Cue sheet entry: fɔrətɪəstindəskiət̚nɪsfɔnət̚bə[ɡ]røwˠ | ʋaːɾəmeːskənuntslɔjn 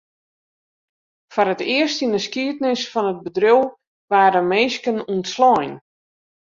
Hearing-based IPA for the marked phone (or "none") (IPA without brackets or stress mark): d